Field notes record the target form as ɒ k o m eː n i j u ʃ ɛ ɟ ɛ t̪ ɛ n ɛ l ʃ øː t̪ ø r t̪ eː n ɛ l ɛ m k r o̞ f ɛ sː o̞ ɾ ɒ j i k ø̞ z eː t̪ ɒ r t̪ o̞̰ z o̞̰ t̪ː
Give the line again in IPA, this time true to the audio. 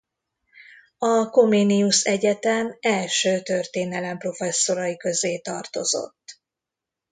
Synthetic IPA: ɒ k o m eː n i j u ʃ ɛ ɟ ɛ t̪ ɛ m ɛ l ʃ øː t̪ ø r t̪ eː n ɛ l ɛ m p r o̞ f ɛ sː o̞ ɾ ɒ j i k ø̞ z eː t̪ ɒ r t̪ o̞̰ z o̞̰ t̪ː